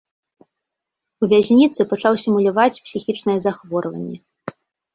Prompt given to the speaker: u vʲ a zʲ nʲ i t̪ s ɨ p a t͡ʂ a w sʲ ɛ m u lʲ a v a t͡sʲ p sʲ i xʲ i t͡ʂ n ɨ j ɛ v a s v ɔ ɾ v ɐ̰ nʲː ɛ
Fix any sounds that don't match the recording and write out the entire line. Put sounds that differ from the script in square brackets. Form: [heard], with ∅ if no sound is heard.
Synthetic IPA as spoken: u vʲ a zʲ nʲ i t̪ s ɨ p a t͡ʂ a w sʲ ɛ m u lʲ a v a t͡sʲ p sʲ i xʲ i t͡ʂ n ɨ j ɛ [z] a [x] v ɔ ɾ v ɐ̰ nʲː ɛ